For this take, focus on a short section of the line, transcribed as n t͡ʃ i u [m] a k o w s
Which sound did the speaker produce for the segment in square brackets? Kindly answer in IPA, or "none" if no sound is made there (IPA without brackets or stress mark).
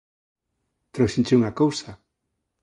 ŋ